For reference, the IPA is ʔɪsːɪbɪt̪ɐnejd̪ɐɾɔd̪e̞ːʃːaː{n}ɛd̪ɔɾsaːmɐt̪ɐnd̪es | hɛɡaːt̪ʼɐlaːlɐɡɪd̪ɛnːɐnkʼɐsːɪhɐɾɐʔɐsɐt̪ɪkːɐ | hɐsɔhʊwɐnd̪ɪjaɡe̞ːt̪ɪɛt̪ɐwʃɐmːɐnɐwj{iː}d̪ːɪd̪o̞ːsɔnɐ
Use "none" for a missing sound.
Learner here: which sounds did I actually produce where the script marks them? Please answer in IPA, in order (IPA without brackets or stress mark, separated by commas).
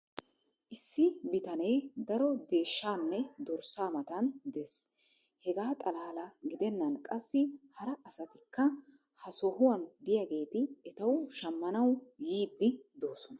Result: nː, iː